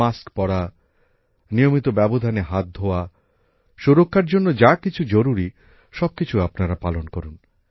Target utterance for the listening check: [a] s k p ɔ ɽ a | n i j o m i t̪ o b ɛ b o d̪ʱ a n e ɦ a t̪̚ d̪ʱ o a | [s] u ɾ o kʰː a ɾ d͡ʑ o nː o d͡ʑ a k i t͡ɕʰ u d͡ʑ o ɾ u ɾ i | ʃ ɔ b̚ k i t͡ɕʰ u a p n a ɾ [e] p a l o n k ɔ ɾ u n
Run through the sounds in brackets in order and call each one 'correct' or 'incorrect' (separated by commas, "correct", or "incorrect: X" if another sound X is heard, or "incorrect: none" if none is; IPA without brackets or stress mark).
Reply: correct, incorrect: ʃ, incorrect: a